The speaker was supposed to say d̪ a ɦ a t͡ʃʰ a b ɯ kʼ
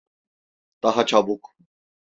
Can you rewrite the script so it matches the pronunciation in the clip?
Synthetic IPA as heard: t̪ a ɦ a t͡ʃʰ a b u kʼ